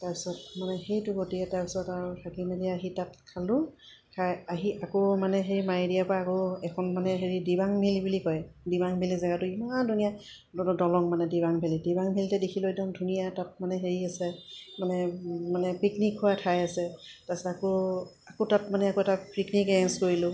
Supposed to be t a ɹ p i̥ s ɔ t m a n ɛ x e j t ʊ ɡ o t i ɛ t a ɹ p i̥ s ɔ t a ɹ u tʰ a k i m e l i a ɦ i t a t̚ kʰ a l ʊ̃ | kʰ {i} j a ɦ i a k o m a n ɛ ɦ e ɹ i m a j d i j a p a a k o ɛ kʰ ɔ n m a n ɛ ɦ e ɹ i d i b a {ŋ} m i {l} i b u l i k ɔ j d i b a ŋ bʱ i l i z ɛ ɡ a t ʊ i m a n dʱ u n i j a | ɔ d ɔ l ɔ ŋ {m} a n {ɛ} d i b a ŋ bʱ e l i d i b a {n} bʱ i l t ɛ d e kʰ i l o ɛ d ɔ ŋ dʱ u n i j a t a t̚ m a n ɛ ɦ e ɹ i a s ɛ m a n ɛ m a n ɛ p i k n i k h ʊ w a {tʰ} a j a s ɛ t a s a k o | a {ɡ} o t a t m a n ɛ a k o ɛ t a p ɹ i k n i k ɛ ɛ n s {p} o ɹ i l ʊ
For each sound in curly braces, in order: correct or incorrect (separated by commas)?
incorrect, correct, correct, correct, correct, incorrect, correct, incorrect, incorrect